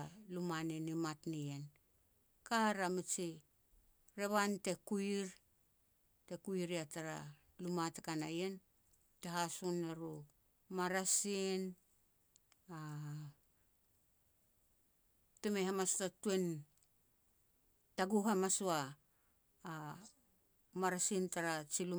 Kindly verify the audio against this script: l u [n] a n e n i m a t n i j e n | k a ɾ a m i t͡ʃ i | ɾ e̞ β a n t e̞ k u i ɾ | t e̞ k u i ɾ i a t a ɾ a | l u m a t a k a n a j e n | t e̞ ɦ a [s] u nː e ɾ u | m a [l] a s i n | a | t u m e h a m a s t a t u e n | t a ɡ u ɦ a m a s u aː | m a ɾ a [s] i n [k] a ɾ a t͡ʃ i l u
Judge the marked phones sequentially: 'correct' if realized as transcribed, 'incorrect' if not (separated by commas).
incorrect, correct, incorrect, correct, incorrect